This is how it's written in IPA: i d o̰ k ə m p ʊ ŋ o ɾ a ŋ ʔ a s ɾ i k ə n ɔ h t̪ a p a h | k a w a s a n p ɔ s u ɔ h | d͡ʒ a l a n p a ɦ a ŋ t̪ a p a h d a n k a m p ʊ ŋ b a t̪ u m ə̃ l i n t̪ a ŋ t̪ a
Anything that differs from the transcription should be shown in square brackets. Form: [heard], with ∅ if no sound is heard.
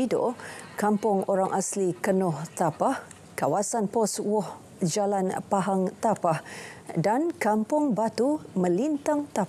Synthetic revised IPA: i d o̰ k [a] m p ʊ ŋ o ɾ a ŋ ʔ a s [l] i k ə n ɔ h t̪ a p a h | k a w a s a n p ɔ s [w] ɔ h | d͡ʒ a l a n p a ɦ a ŋ t̪ a p a h d a n k a m p ʊ ŋ b a t̪ u m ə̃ l i n t̪ a ŋ t̪ a